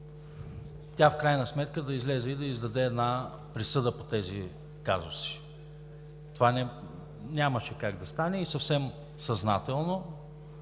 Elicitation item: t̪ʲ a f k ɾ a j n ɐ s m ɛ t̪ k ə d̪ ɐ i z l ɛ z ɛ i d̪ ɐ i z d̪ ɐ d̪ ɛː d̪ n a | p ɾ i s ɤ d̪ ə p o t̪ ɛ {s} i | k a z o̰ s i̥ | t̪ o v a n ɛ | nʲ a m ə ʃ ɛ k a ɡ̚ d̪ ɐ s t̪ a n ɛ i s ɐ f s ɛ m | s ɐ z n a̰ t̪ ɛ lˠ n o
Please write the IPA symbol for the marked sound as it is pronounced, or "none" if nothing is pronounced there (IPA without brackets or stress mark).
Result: z